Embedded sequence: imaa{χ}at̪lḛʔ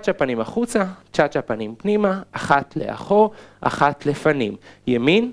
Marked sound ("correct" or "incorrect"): correct